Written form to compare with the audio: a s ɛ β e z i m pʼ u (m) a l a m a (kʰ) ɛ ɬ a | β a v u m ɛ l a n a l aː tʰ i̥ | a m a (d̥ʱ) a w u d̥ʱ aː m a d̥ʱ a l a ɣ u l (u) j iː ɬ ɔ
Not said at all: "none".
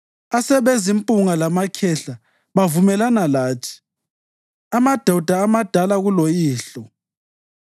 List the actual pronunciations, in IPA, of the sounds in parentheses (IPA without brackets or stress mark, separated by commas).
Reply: ŋ, kʰ, d̥ʱ, o